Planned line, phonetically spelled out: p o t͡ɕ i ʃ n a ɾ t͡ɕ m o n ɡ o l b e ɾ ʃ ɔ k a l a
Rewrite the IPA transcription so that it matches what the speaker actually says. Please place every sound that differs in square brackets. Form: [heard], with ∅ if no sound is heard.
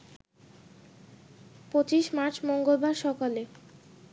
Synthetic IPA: p o t͡ɕ i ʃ [m] a ɾ t͡ɕ m o [ŋ] ɡ o l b [a] ɾ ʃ ɔ k a l [e]